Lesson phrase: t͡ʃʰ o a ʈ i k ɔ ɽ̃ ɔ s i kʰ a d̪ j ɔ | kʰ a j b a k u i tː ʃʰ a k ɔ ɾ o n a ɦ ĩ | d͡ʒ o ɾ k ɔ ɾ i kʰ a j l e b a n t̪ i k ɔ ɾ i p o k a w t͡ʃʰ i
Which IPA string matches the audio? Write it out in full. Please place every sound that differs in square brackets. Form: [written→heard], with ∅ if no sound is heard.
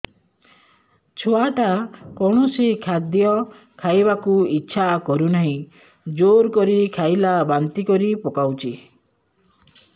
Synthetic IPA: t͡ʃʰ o a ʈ [i→a] k ɔ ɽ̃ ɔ s i kʰ a d̪ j ɔ | kʰ a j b a k u i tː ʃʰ a k ɔ ɾ [o→u] n a ɦ ĩ | d͡ʒ o ɾ k ɔ ɾ i kʰ a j l [e→a] b a n t̪ i k ɔ ɾ i p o k a w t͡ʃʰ i